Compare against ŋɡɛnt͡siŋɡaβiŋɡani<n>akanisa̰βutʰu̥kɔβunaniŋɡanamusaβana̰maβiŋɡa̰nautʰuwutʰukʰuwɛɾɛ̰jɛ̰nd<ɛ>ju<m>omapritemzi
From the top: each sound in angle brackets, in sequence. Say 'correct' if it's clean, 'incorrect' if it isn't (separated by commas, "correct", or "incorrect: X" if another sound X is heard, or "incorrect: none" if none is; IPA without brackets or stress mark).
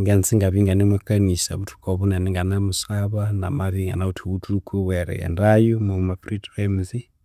incorrect: m, incorrect: a, correct